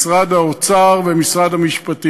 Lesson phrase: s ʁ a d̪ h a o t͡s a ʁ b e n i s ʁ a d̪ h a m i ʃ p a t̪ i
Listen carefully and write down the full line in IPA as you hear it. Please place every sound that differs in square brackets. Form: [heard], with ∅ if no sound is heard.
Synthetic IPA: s ʁ a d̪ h a o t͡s a ʁ [v] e [m] i s ʁ a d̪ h a m i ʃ p a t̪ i